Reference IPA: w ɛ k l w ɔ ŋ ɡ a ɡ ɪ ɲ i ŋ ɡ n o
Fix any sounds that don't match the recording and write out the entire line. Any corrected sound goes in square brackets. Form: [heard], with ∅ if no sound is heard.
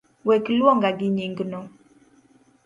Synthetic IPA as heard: w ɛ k l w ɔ ŋ ɡ a ɡ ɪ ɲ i ŋ ɡ n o